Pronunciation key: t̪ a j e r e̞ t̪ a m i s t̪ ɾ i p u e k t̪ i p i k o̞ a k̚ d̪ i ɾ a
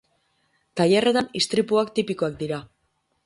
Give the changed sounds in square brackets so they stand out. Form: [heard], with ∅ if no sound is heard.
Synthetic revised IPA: t̪ a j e r e̞ t̪ a [n] i s t̪ ɾ i p u [a] k t̪ i p i k o̞ a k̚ d̪ i ɾ a